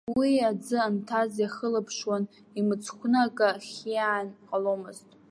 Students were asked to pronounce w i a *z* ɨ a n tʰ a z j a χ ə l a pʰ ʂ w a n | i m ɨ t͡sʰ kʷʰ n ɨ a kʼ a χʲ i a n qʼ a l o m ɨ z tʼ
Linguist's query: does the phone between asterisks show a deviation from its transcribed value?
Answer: yes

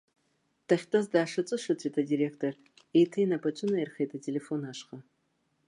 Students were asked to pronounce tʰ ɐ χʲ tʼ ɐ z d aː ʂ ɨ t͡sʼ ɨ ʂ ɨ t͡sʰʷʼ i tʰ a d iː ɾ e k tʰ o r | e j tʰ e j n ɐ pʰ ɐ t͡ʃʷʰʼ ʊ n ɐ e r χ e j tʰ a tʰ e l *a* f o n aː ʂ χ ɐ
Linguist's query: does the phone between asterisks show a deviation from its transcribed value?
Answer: yes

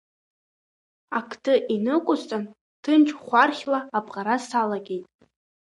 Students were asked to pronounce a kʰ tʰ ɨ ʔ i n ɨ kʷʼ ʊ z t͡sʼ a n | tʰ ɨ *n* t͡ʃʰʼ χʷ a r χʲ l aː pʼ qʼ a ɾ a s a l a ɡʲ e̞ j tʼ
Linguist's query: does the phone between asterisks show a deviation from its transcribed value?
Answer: no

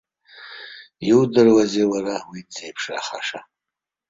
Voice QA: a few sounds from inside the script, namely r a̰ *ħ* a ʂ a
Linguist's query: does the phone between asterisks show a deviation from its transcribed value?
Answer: yes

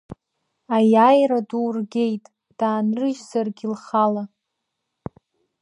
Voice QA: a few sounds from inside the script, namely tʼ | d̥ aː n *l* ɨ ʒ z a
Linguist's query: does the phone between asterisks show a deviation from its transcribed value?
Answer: yes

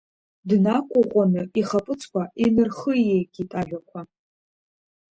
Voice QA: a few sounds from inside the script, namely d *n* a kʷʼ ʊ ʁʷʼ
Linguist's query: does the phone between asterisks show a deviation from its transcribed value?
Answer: no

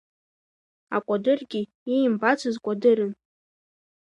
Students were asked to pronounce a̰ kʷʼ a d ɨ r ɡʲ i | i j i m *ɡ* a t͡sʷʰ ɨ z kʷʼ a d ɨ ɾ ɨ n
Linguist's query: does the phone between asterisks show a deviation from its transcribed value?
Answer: yes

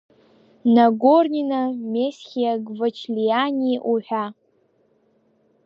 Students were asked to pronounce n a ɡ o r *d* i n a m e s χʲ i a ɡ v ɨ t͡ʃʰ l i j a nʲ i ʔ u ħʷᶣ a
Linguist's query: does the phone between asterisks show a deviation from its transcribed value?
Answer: yes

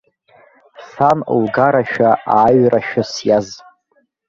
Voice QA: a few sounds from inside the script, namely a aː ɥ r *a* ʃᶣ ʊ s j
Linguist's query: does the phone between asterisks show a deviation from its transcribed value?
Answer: no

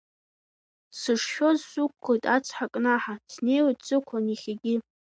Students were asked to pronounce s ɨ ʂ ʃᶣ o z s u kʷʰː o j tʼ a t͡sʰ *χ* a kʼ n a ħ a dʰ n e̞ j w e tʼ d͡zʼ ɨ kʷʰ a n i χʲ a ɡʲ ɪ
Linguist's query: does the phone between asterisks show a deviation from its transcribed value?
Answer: yes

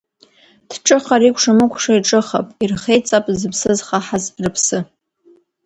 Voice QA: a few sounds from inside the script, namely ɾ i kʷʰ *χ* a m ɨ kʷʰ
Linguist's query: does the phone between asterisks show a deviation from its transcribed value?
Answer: yes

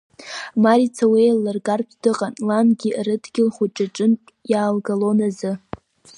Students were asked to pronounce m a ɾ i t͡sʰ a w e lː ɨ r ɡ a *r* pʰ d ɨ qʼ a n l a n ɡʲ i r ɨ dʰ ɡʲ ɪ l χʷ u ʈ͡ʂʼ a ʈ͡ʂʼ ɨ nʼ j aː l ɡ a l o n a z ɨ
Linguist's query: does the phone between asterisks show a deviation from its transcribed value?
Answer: no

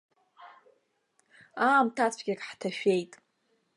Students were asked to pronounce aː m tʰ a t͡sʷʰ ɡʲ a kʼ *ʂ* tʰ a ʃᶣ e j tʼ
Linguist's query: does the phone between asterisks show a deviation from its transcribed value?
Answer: yes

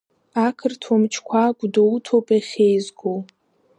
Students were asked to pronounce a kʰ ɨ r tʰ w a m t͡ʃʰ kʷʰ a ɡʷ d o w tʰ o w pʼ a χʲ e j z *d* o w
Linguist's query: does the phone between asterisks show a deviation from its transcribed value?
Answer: yes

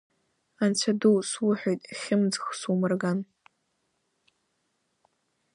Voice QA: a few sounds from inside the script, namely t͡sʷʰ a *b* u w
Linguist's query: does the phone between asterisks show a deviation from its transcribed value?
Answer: yes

